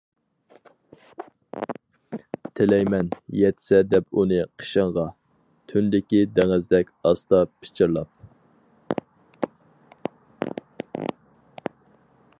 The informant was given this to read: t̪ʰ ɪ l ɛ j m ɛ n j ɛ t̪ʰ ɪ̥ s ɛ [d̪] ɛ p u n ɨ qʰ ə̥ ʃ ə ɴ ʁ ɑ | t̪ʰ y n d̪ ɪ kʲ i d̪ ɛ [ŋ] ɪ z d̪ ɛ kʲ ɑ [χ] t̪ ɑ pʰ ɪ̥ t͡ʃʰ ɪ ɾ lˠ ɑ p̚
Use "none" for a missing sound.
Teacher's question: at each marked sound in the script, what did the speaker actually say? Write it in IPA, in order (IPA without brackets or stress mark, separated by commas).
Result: d̪, ŋ, s